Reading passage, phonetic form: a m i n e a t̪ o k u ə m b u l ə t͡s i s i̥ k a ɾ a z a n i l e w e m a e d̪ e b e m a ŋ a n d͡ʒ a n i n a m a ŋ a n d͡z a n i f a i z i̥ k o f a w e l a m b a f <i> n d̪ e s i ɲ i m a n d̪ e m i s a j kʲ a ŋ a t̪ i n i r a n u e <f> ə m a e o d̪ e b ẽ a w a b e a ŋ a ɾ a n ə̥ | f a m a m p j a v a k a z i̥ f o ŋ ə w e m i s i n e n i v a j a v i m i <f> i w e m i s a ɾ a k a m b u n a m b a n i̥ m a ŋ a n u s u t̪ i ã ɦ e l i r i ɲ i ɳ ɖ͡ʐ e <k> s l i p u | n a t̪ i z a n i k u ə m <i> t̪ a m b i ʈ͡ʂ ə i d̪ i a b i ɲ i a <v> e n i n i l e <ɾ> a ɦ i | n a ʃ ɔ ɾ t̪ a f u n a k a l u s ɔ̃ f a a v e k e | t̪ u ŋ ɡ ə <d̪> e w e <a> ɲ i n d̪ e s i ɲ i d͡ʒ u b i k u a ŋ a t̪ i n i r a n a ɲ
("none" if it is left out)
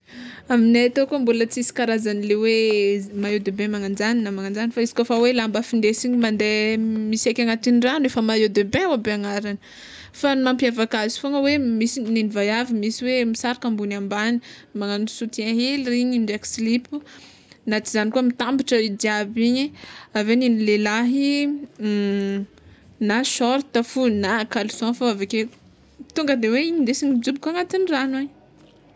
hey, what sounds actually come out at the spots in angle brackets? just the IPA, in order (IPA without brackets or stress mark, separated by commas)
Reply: i, f, s, k, i, v, l, d̪, i